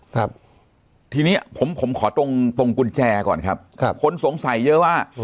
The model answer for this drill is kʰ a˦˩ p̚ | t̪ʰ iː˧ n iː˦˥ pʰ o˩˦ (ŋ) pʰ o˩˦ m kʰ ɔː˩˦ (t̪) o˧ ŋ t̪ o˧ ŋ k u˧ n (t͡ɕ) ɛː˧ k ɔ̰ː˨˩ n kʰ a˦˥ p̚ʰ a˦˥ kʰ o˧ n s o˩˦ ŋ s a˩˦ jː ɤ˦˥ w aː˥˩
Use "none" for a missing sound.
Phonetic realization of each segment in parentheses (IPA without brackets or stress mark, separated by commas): m, t̪, t͡ɕ